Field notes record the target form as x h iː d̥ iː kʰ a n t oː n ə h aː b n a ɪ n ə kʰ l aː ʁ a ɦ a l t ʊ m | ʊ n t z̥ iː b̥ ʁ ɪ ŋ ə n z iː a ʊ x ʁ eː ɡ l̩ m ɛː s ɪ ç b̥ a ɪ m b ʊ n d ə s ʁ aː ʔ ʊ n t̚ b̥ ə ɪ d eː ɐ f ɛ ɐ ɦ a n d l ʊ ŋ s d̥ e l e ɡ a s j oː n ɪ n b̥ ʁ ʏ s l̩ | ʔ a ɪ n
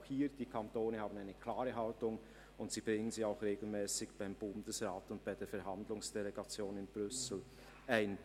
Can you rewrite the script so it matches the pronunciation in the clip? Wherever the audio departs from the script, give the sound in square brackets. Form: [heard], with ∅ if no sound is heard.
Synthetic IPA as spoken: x h iː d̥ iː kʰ a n t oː n ə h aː b n a ɪ n ə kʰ l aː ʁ [ə] ɦ a l t ʊ [ŋ] | ʊ n t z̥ iː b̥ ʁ ɪ ŋ ə n z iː a ʊ x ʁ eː ɡ l̩ m ɛː s ɪ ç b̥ a ɪ m b ʊ n d ə s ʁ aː [t] ʊ n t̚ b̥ [a] ɪ d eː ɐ f ɛ ɐ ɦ a n d l ʊ ŋ s d̥ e l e ɡ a [t͡s] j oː n ɪ n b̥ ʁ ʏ s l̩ | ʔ a ɪ n